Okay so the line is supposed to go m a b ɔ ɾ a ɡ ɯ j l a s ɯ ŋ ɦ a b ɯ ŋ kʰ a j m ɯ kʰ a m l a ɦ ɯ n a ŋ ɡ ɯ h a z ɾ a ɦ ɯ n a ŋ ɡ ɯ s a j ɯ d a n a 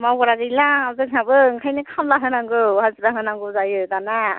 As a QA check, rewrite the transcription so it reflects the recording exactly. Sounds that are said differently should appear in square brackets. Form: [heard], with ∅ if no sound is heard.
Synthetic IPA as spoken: m a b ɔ ɾ a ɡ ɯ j l a [z] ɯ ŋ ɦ a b ɯ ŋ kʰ a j [n] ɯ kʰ a m l a ɦ ɯ n a ŋ ɡ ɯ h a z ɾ a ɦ ɯ n a ŋ ɡ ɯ [z] a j ɯ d a n a